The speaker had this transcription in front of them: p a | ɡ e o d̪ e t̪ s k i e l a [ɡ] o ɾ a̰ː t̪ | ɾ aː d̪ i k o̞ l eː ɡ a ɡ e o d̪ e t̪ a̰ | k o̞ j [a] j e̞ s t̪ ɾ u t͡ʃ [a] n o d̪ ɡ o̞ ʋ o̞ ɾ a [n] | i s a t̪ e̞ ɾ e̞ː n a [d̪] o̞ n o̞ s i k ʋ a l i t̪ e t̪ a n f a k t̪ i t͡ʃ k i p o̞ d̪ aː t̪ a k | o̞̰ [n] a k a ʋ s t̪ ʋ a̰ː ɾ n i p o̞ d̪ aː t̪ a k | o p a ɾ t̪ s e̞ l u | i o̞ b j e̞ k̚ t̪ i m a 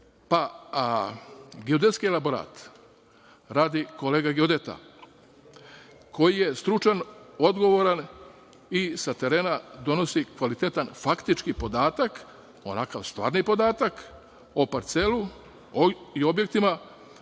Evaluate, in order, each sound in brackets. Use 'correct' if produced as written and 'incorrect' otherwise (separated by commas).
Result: incorrect, incorrect, correct, correct, correct, correct